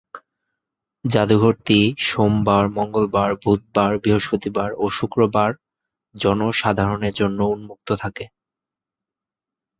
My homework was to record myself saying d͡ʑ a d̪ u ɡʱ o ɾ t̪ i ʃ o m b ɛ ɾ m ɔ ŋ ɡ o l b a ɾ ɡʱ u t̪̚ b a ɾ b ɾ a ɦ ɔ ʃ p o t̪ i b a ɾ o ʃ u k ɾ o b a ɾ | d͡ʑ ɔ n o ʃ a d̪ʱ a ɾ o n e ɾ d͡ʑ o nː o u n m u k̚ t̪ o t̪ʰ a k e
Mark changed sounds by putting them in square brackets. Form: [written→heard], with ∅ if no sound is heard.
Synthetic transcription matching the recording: d͡ʑ a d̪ u ɡʱ o ɾ t̪ i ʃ o m b [ɛ→a] ɾ m ɔ ŋ ɡ o l b a ɾ [ɡʱ→bʱ] u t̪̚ b a ɾ b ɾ [a→i] ɦ [ɔ→o] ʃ p o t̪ i b a ɾ o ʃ u k ɾ o b a ɾ | d͡ʑ ɔ n o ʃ a d̪ʱ a ɾ o n e ɾ d͡ʑ o nː o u n m u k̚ t̪ o t̪ʰ a k e